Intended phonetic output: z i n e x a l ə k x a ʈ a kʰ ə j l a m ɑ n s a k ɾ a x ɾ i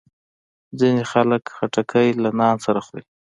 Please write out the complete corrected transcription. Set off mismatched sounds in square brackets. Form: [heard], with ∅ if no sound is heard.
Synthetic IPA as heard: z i n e x a l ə k x a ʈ a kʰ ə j l a [n] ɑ n s a [∅] ɾ a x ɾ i